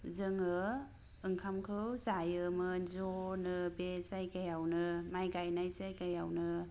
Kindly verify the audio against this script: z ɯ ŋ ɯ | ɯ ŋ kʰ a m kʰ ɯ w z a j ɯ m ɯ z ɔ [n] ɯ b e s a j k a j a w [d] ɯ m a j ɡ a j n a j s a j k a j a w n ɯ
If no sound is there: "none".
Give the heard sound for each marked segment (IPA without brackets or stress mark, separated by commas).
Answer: n, n